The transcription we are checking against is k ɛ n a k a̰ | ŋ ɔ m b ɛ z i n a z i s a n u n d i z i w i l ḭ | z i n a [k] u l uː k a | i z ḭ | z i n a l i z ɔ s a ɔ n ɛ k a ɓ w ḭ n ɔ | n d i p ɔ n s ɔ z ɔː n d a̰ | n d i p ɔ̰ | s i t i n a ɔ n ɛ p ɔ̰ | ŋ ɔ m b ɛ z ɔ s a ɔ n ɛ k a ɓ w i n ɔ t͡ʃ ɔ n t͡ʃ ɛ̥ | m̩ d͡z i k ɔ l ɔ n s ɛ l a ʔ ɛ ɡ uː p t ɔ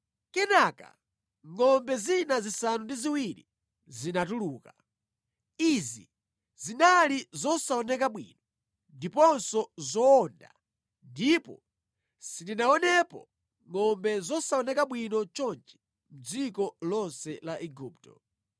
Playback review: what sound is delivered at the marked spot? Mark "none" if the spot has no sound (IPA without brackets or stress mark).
t